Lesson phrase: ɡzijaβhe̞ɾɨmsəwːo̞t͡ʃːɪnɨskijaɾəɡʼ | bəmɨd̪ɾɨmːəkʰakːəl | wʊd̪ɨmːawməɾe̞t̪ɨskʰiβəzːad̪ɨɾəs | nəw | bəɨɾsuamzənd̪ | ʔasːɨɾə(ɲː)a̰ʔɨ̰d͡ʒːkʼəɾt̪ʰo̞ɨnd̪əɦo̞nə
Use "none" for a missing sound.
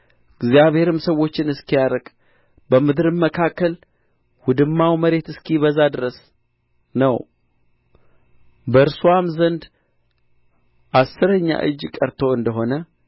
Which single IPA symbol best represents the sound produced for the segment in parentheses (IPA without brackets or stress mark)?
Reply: ɲː